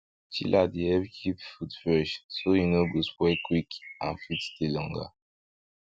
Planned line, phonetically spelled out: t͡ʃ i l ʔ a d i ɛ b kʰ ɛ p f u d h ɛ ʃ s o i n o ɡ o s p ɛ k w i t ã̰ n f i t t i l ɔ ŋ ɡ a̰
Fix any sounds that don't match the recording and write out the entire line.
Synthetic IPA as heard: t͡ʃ i l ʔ a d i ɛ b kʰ i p f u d f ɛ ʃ s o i n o ɡ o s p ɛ k w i k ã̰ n f i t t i l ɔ ŋ ɡ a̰